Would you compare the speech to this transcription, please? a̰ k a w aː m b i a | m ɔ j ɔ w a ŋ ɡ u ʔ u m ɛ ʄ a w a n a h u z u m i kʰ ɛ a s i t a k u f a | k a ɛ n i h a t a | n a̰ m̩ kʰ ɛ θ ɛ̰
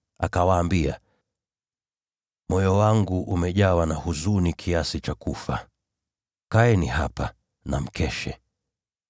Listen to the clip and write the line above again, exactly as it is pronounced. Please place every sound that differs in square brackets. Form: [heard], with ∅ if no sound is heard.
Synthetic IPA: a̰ k a w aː m b i a | m ɔ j ɔ w a ŋ ɡ u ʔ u m ɛ ʄ a w a n a h u z u [n] i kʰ [i] a s i [t͡ʃ] a k u f a | k a ɛ n i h a [p] a | n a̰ m̩ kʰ ɛ [ʃ] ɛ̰